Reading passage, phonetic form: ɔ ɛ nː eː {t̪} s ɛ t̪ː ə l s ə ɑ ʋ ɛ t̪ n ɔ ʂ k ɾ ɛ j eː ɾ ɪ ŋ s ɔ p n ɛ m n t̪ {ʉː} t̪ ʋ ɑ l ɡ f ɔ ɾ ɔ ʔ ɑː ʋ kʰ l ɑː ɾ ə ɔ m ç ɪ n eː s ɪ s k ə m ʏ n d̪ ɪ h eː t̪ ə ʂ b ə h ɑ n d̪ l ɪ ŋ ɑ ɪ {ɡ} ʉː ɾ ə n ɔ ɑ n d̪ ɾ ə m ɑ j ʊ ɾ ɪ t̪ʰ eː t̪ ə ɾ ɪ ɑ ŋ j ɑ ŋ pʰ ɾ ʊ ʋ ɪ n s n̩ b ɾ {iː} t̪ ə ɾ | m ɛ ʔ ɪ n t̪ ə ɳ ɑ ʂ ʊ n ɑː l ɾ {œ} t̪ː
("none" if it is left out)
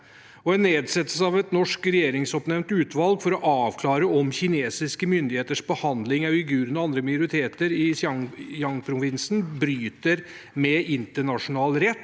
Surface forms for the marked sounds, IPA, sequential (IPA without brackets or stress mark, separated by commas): d̪, ʉː, ɡ, yː, ɛ